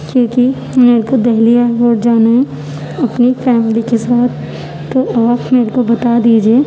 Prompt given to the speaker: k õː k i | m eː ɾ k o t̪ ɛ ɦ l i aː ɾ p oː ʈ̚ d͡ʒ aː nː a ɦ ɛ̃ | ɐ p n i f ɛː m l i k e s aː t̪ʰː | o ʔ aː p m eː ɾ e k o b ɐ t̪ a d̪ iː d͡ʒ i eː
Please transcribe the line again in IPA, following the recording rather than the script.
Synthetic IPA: k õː k i | m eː ɾ k o d̪ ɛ ɦ l i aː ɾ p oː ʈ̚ d͡ʒ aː n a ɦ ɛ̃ | ɐ p n i f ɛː m l i k e s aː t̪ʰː | o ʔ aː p m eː ɾ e k o b ɐ t̪ a d̪ iː d͡ʒ i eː

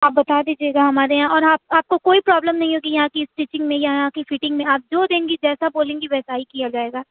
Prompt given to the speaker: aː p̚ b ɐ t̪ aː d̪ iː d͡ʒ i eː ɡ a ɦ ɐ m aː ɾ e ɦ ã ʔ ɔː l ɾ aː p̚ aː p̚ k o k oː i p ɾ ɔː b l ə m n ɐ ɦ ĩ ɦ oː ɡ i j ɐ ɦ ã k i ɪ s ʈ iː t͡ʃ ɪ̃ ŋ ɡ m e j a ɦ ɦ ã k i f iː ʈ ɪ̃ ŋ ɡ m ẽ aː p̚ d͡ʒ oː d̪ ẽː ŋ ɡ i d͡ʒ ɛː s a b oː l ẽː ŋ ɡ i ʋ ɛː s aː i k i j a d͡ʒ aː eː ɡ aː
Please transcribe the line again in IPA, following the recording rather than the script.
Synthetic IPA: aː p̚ b ɐ t̪ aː d̪ iː d͡ʒ i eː ɡ a ɦ ɐ m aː ɾ e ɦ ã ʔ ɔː ɾ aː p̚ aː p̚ k o k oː i p ɾ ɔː b l ə m n ɐ ɦ ĩ ɦ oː ɡ i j ɐ ɦ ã k i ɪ s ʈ iː t͡ʃ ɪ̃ ŋ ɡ m ẽ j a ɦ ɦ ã k i f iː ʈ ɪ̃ ŋ ɡ m ẽ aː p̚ d͡ʒ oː d̪ ẽː ŋ ɡ i d͡ʒ ɛː s a b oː l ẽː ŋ ɡ i ʋ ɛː s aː i k i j a d͡ʒ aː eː ɡ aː

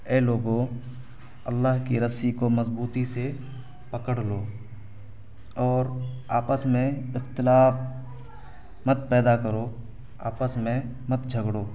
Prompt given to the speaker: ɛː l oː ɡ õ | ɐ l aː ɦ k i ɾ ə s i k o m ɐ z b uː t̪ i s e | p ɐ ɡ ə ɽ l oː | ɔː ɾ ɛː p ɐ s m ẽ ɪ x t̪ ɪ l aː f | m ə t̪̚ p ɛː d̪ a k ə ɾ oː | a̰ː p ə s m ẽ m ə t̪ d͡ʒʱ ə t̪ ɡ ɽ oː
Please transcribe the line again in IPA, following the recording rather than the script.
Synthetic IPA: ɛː l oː ɡ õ | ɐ lː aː ɦ k i ɾ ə s i k o m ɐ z b uː t̪ i s e | p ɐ k ə ɽ l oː | ɔː ɾ aː p ə s m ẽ ɪ x t̪ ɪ l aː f | m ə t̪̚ p ɛː d̪ a k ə ɾ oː | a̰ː p ə s m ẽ m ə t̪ d͡ʒʱ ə ɡ ɽ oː

